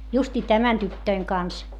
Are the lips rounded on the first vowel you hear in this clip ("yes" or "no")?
yes